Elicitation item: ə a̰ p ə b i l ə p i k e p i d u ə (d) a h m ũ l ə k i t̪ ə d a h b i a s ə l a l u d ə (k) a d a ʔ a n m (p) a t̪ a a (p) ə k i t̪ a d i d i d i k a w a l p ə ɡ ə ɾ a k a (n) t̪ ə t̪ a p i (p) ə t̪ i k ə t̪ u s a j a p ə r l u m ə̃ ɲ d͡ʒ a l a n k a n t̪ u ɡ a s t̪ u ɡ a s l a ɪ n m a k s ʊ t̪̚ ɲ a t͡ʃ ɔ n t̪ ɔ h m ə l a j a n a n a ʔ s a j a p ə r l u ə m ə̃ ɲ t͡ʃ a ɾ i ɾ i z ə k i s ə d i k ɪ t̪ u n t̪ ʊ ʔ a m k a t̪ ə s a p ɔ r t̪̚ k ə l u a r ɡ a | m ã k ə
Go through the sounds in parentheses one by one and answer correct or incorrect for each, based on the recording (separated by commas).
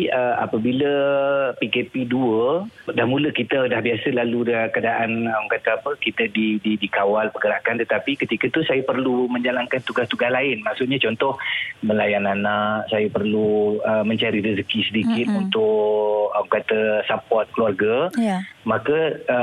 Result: correct, correct, incorrect, correct, correct, incorrect